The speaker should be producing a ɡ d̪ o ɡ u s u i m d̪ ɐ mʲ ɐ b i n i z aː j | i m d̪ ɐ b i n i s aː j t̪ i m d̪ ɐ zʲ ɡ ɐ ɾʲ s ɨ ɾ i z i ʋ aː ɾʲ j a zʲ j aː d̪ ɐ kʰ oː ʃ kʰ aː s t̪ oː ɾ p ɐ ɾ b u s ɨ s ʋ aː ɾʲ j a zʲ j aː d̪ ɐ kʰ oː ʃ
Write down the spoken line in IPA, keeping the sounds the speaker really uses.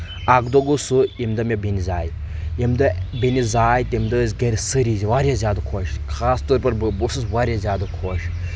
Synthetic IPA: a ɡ d̪ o ɡ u s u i m d̪ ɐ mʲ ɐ b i n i z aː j | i m d̪ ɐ b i n i z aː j t̪ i m d̪ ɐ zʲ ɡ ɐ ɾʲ s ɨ ɾ i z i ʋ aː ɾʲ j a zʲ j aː d̪ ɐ kʰ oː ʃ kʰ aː s t̪ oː ɾ p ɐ ɾ b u s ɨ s ʋ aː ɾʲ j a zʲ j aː d̪ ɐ kʰ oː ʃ